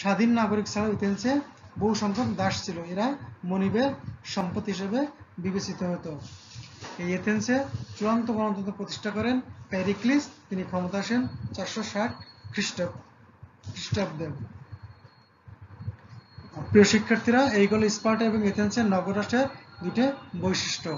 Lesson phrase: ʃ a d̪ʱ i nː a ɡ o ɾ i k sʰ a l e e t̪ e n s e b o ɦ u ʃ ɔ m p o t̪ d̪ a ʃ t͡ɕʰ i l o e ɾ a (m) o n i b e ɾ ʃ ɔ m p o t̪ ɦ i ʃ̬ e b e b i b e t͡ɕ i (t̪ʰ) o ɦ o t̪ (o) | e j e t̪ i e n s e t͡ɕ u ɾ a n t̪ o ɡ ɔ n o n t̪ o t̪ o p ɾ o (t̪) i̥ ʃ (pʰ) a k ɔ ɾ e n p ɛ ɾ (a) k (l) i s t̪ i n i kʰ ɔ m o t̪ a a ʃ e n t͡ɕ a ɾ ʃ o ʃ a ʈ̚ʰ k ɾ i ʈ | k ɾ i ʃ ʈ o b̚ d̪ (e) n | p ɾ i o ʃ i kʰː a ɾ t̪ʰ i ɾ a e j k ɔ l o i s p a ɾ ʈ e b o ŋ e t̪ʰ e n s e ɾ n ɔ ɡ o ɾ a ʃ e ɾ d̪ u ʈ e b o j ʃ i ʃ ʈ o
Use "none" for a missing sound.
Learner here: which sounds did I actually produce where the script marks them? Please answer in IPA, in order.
m, t̪, o, t̪, ʈʰ, i, l, e

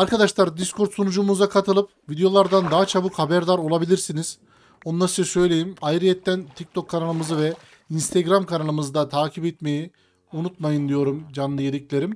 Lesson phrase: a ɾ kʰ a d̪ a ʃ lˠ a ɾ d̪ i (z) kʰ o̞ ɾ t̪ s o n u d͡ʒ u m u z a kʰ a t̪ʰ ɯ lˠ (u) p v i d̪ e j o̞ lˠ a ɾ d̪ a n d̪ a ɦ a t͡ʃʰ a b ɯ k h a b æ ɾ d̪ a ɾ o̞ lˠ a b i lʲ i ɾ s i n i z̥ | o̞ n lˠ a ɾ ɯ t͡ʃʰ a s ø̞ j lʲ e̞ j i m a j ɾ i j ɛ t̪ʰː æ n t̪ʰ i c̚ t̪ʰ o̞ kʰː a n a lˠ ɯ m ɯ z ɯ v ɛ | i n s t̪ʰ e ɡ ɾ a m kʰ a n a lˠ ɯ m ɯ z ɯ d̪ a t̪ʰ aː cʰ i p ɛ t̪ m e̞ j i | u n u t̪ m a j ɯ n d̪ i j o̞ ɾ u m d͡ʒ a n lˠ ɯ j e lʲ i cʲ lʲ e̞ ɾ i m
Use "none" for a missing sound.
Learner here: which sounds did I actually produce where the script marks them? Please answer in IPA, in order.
s, ɯ

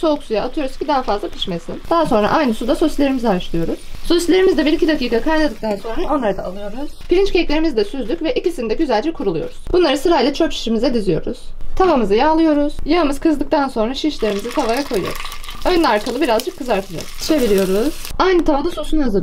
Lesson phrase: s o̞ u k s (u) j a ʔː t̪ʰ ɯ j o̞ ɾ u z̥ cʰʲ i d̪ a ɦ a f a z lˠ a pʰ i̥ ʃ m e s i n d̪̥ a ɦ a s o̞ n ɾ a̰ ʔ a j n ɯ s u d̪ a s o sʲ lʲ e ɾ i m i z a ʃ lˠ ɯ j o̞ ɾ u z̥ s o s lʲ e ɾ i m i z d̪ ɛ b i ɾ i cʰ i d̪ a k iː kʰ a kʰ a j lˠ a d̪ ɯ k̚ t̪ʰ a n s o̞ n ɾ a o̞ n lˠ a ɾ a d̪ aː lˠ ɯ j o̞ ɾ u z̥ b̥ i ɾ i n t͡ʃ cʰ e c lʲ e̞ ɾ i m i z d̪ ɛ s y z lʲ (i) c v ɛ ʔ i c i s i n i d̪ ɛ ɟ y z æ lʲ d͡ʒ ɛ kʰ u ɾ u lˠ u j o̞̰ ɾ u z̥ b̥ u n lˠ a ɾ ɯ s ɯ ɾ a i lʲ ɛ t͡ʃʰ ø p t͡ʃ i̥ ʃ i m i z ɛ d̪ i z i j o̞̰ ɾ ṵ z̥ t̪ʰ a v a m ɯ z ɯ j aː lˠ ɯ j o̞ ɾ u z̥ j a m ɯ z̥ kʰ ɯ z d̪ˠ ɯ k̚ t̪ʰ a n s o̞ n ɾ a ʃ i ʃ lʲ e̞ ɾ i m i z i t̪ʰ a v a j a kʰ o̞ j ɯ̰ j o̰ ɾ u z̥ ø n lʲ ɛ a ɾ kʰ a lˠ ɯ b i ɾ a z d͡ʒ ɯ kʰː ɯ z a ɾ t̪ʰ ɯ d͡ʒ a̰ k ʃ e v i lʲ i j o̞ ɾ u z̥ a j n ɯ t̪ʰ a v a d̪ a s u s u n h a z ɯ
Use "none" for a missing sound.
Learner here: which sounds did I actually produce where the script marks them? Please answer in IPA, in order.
u, y

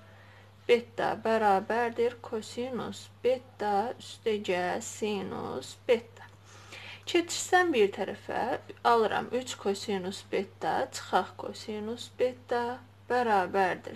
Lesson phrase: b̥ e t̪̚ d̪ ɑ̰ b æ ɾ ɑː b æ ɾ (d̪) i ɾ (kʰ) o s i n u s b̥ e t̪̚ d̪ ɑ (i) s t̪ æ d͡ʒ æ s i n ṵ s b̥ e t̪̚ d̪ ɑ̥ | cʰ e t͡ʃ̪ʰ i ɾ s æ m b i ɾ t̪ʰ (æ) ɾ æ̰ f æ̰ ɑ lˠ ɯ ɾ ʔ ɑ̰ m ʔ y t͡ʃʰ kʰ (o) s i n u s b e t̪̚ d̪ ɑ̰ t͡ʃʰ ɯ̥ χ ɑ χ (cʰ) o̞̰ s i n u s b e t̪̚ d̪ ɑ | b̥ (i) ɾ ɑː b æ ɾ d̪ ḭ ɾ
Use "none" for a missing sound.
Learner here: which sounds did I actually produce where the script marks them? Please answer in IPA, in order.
d̪, kʰ, y, æ, o, kʰ, æ

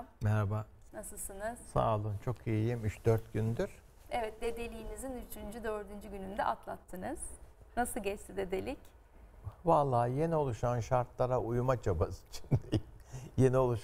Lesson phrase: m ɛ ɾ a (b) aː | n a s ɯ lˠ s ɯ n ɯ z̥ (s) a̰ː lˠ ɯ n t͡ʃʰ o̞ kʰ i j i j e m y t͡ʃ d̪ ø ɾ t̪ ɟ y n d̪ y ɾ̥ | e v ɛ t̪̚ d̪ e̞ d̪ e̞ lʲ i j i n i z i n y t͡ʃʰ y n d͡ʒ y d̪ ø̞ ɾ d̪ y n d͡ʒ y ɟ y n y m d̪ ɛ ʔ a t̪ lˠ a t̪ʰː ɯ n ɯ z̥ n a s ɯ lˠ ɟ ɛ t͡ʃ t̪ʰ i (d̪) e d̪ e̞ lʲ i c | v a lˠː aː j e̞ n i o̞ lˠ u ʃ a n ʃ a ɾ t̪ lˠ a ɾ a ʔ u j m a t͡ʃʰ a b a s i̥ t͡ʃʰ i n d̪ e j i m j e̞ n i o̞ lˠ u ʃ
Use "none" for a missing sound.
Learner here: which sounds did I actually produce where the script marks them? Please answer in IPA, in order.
b, s, d̪

